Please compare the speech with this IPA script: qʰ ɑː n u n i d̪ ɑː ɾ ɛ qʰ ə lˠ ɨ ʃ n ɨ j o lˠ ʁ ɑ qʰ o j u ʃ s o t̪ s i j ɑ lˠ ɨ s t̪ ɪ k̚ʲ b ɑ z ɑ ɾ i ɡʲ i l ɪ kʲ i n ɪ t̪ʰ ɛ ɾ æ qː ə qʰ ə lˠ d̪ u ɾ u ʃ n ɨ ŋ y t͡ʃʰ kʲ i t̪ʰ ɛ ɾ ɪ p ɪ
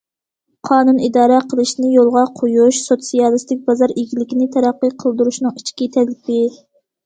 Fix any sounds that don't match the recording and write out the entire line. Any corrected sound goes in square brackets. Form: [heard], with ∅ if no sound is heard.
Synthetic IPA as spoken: qʰ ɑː n u n i d̪ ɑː ɾ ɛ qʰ ə lˠ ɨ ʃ n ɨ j o lˠ ʁ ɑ qʰ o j u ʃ s o t̪ s i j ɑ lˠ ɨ s t̪ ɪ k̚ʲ b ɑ z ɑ ɾ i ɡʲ i l ɪ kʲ i n ɪ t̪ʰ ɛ ɾ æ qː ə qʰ ə lˠ d̪ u ɾ u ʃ n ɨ ŋ [i] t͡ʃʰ kʲ i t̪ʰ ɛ [l] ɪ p ɪ